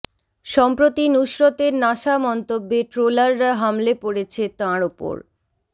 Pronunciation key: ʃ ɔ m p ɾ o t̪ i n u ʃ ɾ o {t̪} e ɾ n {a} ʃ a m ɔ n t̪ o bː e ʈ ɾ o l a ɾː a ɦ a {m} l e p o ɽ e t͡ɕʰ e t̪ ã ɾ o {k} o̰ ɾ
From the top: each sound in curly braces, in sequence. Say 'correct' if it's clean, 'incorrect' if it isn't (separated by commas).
correct, correct, correct, incorrect